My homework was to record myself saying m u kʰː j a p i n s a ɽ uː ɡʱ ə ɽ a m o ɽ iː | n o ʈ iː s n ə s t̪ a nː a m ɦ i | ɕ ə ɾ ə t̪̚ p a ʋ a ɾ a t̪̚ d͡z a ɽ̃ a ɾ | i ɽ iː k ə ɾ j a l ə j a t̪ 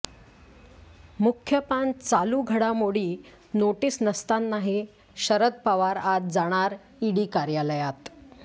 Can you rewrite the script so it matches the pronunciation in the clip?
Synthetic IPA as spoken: m u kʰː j ə p a n t͡s a l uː ɡʱ ə ɽ a m o ɽ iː | n o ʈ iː s n ə s t̪ a nː a ɦ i | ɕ ə ɾ ə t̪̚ p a ʋ a ɾ a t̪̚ d͡z a ɽ̃ a ɾ | i ɽ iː k a ɾ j a l ə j a t̪